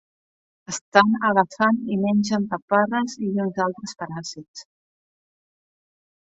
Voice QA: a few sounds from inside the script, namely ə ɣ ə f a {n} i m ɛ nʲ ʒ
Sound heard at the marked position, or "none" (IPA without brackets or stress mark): n